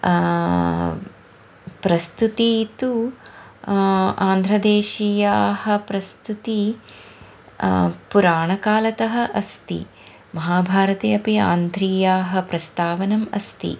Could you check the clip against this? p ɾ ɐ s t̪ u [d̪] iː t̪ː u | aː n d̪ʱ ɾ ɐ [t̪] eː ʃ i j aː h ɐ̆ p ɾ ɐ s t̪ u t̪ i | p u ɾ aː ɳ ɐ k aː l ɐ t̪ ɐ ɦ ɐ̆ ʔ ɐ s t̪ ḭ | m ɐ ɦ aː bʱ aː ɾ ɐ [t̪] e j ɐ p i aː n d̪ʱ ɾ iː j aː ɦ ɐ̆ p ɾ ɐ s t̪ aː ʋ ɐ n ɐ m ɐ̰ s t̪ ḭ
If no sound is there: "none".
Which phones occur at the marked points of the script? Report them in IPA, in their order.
t̪, d̪, t̪

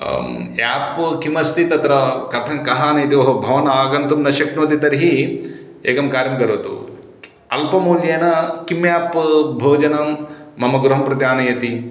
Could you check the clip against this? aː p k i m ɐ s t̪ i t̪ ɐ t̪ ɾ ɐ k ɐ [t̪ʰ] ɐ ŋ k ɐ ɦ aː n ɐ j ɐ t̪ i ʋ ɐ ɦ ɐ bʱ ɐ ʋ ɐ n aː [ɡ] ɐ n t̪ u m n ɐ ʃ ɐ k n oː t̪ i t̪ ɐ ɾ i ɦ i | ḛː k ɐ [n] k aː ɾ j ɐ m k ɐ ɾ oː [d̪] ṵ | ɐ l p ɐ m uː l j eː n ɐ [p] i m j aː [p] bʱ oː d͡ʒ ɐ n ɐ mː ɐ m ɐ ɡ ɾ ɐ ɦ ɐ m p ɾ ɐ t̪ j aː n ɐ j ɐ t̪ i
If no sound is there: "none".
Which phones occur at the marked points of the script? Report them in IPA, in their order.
t̪ʰ, ɡ, m, t̪, k, p

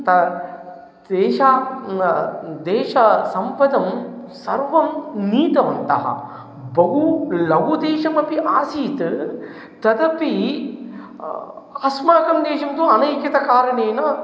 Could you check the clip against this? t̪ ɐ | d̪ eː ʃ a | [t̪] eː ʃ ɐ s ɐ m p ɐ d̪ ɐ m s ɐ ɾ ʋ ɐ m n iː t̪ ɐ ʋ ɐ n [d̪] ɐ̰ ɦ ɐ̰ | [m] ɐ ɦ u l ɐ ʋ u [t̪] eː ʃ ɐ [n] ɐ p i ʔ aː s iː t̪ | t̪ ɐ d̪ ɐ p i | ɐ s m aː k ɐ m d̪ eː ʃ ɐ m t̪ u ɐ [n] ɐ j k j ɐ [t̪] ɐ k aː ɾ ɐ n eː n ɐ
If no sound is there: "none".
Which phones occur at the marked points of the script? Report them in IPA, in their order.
d̪, t̪, b, d̪, m, n, t̪

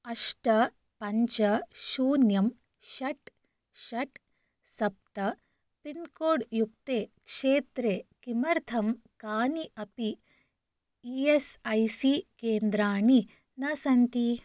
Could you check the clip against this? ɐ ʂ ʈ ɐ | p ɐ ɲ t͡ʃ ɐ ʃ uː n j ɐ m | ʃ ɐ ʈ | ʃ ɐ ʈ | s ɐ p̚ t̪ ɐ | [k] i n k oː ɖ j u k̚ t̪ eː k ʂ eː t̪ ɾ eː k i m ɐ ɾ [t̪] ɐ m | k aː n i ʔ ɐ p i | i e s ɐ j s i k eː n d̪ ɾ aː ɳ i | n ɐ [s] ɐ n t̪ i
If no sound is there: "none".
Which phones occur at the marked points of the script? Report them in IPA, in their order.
p, t̪ʰ, s

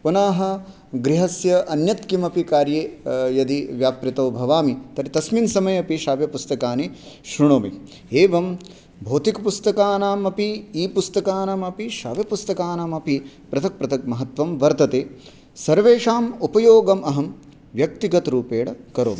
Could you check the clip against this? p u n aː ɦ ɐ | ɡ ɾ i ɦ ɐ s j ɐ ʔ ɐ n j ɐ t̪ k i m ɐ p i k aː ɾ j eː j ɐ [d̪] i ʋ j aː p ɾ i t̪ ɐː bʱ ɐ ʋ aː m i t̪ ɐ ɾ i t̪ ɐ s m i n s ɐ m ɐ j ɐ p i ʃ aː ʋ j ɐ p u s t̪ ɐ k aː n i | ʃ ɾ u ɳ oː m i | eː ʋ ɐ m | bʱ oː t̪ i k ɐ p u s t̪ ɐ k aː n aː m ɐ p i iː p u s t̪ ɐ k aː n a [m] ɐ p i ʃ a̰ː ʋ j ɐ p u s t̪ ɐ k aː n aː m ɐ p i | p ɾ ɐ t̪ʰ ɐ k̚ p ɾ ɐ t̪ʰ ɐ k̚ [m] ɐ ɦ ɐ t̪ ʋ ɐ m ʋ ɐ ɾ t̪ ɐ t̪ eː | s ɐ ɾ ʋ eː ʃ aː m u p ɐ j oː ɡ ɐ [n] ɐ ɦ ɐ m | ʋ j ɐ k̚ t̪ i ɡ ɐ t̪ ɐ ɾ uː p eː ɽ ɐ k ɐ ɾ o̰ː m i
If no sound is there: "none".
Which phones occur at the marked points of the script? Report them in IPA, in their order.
d̪, m, m, m

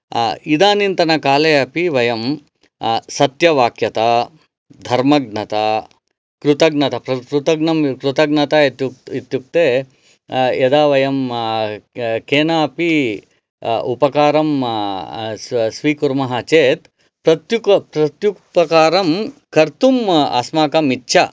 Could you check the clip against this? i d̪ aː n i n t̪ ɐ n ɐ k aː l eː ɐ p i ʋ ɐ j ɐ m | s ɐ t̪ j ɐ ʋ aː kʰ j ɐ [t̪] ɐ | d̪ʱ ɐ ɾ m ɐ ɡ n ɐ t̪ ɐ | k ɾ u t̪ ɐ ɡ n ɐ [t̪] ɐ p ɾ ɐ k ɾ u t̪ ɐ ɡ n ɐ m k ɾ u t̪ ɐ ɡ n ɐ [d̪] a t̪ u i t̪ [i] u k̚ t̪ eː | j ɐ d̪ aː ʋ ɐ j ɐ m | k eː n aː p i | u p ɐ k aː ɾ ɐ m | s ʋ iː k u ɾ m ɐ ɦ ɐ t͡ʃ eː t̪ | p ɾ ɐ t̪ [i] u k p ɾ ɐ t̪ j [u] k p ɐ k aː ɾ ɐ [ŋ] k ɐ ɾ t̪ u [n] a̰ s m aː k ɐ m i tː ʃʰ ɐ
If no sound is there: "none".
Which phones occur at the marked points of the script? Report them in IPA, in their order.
t̪, t̪, t̪, j, j, u, m, m

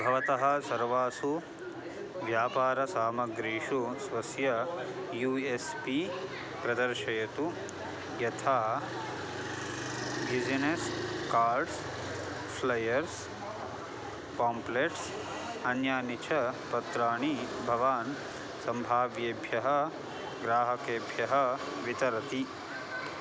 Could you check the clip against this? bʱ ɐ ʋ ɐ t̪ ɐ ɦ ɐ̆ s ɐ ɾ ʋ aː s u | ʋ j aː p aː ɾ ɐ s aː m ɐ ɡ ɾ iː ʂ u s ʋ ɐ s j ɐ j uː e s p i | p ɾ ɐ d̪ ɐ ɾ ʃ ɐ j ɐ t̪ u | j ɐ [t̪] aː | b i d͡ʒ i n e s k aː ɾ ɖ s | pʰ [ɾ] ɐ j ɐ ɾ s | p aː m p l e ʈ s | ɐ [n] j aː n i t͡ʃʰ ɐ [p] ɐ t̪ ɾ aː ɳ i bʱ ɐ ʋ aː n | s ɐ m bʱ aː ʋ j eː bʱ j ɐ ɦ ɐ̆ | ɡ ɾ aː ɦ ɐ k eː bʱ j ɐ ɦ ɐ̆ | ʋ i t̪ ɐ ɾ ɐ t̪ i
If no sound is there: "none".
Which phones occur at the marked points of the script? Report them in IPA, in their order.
t̪ʰ, l, n, p

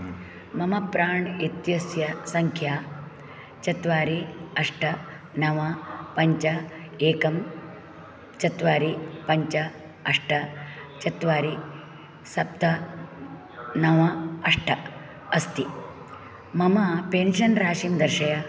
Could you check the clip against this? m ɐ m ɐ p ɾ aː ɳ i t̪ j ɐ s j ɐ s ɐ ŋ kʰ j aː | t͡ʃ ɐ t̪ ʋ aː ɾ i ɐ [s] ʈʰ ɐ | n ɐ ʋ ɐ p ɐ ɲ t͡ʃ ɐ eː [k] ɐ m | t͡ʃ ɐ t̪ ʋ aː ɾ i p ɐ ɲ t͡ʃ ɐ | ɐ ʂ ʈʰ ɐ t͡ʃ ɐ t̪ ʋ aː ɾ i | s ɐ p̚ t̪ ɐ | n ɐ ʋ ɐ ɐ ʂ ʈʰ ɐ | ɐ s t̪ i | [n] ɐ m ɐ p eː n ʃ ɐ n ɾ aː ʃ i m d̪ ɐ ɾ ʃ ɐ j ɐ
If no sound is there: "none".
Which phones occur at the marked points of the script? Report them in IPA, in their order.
ʂ, k, m

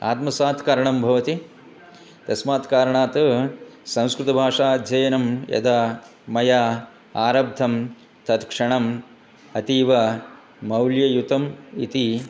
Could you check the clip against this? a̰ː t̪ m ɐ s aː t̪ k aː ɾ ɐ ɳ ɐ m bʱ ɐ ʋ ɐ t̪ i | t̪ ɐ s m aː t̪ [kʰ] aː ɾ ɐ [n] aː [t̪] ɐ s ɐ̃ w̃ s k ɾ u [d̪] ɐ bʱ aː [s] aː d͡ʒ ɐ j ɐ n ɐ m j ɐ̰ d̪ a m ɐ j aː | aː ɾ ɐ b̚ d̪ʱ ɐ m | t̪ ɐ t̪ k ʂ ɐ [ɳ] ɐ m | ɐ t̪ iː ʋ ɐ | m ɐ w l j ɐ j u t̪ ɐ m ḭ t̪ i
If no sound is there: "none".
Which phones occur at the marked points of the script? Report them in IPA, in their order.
k, ɳ, t̪, t̪, ʂ, ɳ

